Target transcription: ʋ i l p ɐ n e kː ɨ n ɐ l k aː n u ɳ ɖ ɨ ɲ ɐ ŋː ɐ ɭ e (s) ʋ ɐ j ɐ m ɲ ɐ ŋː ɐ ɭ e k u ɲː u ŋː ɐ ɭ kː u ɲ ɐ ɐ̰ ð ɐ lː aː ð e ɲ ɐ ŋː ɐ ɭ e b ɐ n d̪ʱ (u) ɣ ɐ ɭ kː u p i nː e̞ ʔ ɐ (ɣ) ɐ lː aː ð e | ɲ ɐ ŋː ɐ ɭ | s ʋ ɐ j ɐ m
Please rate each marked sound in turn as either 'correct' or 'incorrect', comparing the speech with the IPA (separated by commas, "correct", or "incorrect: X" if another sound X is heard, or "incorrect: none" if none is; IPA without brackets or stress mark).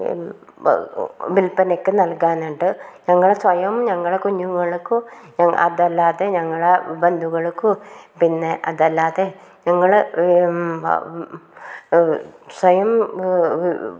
correct, correct, incorrect: ð